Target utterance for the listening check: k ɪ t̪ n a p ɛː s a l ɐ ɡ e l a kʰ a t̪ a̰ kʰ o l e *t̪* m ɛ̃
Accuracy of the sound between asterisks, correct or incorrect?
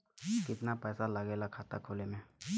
incorrect